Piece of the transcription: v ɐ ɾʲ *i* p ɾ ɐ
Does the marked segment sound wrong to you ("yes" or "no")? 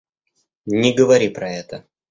no